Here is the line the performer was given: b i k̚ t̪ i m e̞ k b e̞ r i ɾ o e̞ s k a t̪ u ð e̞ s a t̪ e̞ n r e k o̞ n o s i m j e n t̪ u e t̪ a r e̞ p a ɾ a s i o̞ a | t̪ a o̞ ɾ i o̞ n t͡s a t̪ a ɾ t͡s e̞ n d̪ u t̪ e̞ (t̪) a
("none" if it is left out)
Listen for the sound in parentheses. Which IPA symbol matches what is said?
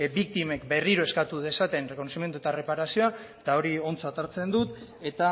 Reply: t̪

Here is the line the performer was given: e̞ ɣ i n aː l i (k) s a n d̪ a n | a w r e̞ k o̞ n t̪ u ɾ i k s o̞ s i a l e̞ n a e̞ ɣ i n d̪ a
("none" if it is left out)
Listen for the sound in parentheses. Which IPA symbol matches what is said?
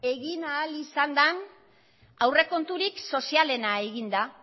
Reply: none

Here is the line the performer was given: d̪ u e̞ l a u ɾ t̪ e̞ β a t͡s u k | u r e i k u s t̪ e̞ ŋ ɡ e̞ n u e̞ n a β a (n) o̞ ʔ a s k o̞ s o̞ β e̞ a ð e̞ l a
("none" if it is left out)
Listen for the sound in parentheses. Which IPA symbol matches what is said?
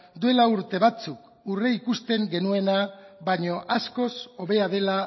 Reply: ɲ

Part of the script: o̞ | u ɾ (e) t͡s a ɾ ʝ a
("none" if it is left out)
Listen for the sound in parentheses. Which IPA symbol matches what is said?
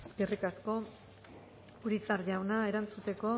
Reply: i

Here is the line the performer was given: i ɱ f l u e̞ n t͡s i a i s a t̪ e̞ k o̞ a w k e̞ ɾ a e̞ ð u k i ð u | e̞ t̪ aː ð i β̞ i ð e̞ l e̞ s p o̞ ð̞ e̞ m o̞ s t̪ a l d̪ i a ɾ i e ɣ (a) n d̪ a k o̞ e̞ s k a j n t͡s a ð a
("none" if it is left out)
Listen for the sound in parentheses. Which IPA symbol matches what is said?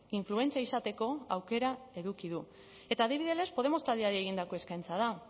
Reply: i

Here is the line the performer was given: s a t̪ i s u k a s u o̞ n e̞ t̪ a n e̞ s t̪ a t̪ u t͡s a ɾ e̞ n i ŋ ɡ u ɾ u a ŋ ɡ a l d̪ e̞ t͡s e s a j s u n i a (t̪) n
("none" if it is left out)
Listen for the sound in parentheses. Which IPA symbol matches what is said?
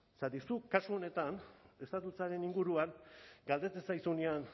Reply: none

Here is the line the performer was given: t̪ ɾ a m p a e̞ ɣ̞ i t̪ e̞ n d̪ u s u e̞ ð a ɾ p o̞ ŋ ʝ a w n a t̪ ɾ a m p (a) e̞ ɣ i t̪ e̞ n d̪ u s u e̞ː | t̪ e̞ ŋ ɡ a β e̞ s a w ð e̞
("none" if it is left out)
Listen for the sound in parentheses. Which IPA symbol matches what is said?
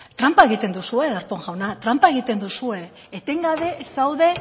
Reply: a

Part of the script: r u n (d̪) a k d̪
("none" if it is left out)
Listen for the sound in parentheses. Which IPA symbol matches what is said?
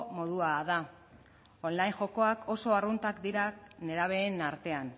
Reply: t̪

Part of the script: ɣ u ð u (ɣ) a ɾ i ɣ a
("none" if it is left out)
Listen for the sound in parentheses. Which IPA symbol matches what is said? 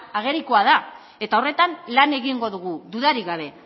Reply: ð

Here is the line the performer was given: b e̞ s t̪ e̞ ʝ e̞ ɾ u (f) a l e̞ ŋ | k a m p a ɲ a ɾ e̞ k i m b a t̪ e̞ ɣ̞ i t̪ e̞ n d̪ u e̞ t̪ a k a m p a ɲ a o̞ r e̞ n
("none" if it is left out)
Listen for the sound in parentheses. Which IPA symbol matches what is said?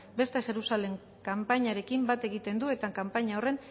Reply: s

